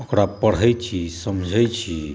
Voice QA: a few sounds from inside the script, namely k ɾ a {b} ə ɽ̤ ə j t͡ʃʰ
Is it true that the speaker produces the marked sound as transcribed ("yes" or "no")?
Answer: no